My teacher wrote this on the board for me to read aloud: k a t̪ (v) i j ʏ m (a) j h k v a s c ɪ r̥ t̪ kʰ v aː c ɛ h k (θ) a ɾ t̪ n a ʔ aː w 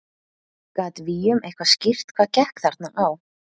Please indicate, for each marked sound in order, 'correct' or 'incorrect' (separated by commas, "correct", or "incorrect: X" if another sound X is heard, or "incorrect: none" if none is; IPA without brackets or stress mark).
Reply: correct, incorrect: e, correct